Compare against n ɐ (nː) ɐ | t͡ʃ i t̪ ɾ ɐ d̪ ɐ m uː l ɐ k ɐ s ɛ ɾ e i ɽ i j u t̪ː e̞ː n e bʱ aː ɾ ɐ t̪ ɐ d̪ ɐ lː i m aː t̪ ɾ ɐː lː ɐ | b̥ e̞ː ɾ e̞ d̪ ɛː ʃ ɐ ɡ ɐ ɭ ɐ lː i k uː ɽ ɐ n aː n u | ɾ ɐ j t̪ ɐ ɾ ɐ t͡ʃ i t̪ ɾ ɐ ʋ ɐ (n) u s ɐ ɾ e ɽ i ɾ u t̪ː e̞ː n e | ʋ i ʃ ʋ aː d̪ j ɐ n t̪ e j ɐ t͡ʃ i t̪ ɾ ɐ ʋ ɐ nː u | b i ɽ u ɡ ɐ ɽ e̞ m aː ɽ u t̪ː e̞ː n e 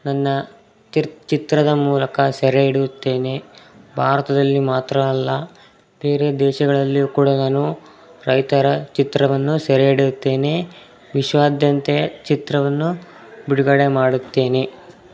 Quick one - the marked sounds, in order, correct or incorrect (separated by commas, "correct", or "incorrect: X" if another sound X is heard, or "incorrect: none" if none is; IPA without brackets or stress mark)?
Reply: correct, incorrect: nː